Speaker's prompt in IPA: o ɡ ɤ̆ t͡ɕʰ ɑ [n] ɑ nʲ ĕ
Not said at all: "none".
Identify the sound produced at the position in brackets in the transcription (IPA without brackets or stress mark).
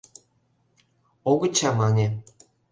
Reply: m